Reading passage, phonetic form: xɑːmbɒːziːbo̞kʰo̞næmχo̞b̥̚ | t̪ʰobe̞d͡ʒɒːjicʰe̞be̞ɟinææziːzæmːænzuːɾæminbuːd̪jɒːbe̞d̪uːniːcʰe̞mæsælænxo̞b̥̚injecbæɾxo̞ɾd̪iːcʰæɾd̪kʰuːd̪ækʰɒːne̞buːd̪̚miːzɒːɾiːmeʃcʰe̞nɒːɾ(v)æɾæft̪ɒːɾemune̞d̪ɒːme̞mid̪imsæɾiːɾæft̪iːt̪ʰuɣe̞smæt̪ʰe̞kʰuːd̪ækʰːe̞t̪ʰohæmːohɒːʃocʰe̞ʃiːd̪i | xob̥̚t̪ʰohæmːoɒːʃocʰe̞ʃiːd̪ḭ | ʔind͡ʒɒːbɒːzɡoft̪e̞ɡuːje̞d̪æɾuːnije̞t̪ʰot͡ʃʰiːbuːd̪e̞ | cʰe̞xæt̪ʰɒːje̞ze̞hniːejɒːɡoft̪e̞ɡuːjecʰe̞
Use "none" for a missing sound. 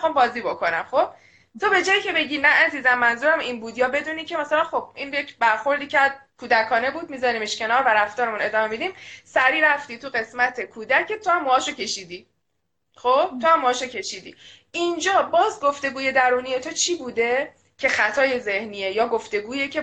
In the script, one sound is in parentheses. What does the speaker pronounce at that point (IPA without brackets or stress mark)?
v